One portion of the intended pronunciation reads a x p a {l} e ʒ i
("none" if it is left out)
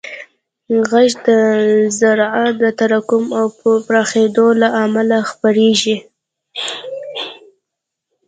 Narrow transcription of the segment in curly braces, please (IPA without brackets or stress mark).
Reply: ɾ